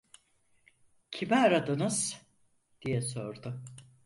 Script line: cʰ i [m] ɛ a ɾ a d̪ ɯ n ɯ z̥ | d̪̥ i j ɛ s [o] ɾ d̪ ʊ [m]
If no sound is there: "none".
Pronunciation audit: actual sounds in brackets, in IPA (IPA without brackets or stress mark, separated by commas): m, o, none